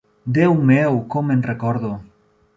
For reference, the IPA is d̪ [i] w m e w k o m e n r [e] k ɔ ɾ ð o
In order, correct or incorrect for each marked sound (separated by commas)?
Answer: incorrect, correct